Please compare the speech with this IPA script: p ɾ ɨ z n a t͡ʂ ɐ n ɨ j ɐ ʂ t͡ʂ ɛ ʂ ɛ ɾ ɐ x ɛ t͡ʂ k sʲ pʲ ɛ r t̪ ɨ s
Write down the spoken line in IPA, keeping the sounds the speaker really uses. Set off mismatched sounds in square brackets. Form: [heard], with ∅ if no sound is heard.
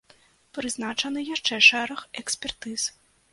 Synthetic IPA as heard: p ɾ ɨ z n a t͡ʂ ɐ n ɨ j [a] ʂ t͡ʂ ɛ ʂ ɛ ɾ ɐ x ɛ [∅] k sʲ pʲ ɛ r t̪ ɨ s